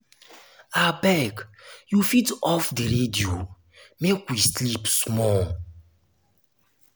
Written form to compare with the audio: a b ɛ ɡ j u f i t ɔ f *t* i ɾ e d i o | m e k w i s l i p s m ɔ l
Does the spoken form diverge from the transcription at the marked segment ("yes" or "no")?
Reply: yes